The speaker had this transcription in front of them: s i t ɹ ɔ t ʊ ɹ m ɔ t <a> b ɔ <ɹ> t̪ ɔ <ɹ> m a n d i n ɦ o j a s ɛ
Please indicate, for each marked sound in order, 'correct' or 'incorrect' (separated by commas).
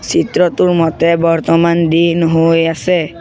incorrect, correct, incorrect